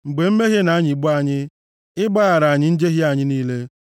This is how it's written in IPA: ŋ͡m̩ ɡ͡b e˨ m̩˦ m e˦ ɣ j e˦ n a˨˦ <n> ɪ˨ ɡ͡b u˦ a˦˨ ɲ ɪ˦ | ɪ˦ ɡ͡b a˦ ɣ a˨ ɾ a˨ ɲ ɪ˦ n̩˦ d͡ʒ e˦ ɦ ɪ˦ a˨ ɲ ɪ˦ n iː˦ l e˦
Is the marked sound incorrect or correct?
incorrect